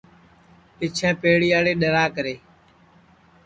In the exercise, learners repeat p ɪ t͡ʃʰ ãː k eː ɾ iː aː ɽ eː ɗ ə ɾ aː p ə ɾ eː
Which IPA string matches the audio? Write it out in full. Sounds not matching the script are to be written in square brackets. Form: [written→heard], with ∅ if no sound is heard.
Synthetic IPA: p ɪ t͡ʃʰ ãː [k→p] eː [ɾ→ɽ] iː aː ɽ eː ɗ ə ɾ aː [p→k] ə ɾ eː